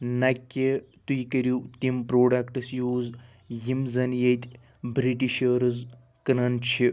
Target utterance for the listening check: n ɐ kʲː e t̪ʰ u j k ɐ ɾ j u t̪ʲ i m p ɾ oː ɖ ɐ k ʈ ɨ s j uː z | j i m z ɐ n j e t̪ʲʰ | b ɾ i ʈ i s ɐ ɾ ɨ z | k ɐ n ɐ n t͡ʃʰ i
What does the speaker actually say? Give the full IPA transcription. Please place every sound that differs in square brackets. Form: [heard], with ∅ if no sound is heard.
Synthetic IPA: n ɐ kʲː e [t̪] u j k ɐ ɾ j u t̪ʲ i m p ɾ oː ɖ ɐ k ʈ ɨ s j uː z | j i m z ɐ n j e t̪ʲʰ | b ɾ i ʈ i [ʃ] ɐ ɾ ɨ z | k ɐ n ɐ n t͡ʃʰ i